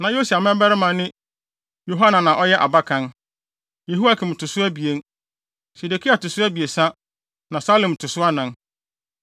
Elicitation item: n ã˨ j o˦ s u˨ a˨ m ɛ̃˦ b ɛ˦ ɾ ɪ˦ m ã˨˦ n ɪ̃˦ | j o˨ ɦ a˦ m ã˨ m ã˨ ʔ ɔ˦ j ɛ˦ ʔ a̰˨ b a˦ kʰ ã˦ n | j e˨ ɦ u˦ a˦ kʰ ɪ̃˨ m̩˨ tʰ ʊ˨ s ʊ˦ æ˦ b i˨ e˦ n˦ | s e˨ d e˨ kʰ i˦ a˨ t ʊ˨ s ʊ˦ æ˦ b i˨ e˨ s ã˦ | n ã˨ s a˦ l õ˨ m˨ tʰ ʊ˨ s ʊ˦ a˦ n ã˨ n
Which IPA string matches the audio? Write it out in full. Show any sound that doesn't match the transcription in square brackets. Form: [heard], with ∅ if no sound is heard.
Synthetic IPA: n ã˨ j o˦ s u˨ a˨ m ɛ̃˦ b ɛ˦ ɾ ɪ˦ m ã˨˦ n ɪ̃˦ | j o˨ ɦ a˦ [n] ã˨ [n] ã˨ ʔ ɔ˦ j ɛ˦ ʔ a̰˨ b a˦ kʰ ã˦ n | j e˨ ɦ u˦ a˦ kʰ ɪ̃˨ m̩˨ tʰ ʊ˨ s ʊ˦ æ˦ b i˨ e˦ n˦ | s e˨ d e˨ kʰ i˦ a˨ t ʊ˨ s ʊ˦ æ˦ b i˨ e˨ s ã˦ | n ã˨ s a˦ l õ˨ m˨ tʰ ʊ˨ s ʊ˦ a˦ n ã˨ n